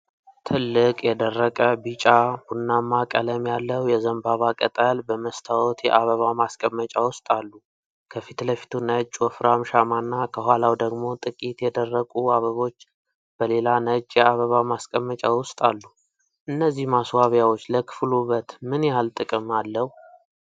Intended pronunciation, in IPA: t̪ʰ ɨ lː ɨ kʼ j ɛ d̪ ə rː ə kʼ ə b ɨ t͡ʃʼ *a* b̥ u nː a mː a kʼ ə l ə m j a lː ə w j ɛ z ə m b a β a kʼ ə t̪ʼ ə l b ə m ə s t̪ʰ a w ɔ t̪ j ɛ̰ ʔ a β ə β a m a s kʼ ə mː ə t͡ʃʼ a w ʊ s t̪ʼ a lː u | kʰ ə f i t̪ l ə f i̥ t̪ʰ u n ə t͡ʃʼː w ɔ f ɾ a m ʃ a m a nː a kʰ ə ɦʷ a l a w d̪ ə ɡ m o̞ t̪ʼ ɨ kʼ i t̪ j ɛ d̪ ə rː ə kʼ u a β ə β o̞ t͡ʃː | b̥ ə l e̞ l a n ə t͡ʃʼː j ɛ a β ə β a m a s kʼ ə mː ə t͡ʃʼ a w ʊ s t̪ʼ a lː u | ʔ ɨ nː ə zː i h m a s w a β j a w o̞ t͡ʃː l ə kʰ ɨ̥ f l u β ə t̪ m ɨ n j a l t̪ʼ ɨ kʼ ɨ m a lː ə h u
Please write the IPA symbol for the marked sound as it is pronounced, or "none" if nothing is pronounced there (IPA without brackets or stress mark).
a